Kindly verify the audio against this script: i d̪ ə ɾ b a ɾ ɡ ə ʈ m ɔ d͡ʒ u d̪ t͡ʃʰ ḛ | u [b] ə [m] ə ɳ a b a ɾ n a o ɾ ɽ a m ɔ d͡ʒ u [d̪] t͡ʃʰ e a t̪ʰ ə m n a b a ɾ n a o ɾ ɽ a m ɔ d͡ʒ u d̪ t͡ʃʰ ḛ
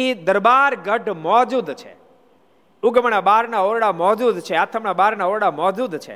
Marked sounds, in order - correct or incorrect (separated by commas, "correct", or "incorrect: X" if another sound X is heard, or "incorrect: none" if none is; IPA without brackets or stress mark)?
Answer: incorrect: ɡ, correct, correct